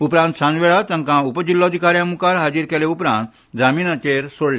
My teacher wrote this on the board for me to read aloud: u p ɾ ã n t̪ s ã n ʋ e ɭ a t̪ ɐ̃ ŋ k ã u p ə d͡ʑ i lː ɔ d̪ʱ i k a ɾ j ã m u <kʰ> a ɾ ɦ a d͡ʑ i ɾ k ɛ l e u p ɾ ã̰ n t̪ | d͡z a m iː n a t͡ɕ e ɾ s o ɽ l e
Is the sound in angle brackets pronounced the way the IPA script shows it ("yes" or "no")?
no